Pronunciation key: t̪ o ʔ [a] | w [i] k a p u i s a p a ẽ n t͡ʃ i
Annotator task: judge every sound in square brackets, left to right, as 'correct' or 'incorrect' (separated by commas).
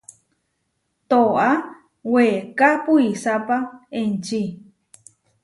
correct, incorrect